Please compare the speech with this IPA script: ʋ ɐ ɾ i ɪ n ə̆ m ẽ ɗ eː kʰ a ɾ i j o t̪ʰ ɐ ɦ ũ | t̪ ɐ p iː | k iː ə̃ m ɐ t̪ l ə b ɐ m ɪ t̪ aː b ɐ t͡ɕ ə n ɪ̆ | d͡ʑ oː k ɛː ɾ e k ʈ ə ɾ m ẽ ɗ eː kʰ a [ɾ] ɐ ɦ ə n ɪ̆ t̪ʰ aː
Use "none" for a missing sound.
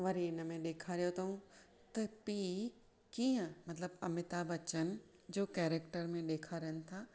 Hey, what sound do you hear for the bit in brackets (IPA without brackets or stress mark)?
ɾ